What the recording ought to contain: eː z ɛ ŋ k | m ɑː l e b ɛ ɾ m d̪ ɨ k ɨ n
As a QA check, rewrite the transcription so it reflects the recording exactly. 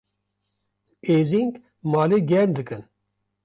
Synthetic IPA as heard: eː z i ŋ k | m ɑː l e ɡ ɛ ɾ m d̪ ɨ k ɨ n